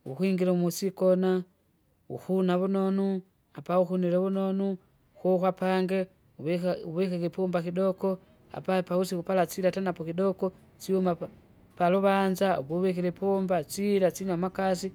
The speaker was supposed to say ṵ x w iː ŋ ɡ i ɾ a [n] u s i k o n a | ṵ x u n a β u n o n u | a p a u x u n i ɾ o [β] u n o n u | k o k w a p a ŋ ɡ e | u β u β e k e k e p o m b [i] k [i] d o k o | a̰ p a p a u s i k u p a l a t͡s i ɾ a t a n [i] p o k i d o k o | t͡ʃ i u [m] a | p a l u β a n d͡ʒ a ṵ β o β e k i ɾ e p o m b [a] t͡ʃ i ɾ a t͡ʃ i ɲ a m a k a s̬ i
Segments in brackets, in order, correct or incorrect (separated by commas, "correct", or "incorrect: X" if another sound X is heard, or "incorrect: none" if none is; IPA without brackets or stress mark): incorrect: m, correct, incorrect: a, correct, incorrect: a, correct, correct